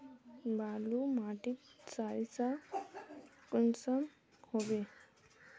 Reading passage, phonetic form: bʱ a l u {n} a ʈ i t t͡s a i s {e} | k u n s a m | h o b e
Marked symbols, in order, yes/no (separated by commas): no, no